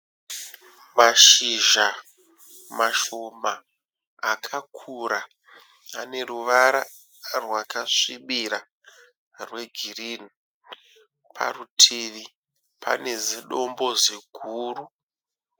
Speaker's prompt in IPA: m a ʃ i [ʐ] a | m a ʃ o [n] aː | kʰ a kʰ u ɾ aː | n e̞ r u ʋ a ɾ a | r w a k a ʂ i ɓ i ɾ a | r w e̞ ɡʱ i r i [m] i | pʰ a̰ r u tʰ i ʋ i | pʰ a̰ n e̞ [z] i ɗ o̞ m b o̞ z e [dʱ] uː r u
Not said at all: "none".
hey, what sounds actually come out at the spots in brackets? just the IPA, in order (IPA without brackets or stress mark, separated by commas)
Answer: ʒ, m, n, z, ɡʱ